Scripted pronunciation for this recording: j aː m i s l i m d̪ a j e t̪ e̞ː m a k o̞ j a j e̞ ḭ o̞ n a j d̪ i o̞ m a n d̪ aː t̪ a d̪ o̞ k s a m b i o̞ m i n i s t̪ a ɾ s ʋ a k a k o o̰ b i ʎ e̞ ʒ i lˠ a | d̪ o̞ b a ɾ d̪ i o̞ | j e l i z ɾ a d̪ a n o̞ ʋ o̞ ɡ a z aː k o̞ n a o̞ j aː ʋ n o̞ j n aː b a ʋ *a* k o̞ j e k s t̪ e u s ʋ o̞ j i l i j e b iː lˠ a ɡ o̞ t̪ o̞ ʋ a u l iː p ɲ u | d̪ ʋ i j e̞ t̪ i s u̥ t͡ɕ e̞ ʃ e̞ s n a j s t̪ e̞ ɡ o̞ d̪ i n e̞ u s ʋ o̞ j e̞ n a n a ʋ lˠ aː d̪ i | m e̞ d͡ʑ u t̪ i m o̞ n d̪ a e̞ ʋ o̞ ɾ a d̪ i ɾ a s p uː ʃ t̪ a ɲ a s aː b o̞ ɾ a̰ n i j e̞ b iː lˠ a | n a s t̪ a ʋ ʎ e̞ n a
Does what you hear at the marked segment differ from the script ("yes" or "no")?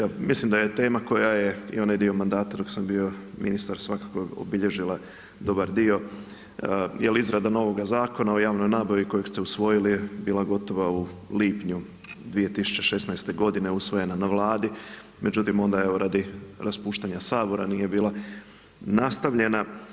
yes